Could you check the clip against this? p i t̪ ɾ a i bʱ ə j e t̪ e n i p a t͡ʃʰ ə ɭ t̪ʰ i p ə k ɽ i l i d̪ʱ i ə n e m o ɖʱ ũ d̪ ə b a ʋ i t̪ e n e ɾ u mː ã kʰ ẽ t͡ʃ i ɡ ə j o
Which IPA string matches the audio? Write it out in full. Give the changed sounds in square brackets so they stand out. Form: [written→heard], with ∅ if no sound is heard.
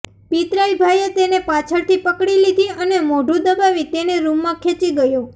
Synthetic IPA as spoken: p i t̪ ɾ a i bʱ [ə→a] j e t̪ e n [i→e] p a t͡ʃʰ ə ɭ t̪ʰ i p ə k ɽ i l i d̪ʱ i ə n e m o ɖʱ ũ d̪ ə b a ʋ i t̪ e n e ɾ u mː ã kʰ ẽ t͡ʃ i ɡ ə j o